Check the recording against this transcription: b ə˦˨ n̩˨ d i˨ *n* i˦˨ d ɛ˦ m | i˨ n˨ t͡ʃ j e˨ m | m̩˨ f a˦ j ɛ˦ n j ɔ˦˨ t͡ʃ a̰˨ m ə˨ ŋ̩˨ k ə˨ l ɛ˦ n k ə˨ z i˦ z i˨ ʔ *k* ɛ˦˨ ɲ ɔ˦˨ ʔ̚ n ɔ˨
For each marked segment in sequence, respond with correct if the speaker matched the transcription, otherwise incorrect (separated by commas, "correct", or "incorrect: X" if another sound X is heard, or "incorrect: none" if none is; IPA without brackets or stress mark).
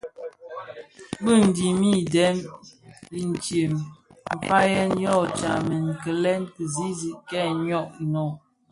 incorrect: m, correct